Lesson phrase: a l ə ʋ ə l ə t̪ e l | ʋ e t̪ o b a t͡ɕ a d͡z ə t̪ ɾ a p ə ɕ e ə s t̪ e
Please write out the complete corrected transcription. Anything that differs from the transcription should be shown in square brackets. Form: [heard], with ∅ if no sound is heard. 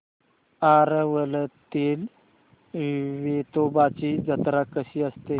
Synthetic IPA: a [ɾ] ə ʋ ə l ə t̪ e l | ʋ e t̪ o b a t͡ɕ [i] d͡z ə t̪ ɾ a [k] ə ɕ [i] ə s t̪ e